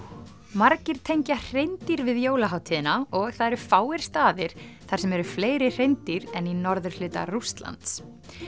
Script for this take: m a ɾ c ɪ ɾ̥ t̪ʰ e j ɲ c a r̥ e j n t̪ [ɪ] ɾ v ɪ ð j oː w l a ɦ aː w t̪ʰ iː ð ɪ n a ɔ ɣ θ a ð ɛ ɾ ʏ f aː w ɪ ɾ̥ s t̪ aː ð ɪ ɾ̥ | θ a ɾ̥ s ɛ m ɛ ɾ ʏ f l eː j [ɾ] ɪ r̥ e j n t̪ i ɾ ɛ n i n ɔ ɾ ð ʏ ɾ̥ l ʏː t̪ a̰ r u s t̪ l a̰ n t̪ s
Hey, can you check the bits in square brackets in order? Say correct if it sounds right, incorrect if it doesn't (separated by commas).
incorrect, correct